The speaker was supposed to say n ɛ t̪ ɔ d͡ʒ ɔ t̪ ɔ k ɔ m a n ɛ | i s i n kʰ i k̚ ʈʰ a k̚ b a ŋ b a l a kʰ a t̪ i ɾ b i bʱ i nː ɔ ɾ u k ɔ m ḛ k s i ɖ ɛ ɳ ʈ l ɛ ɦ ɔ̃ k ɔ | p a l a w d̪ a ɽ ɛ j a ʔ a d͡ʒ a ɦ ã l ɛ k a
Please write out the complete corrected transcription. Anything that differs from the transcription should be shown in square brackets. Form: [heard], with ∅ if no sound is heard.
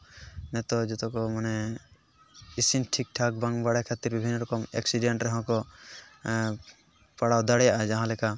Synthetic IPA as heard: n ɛ t̪ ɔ d͡ʒ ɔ t̪ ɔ k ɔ m a n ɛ | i s i n [ʈʰ] i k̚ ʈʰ a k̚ b a ŋ b a [ɽ] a kʰ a t̪ i ɾ b i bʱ i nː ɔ ɾ [ɔ] k ɔ m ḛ k s i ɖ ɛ ɳ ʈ [ɾ] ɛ ɦ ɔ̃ k ɔ | p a [ɽ] a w d̪ a ɽ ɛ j a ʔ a d͡ʒ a ɦ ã l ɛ k a